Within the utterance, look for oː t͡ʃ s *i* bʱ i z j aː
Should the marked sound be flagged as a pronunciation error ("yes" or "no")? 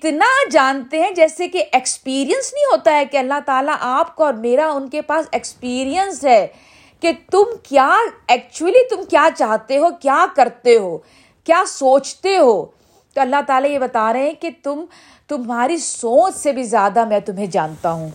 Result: yes